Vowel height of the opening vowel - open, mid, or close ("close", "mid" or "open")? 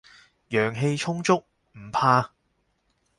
mid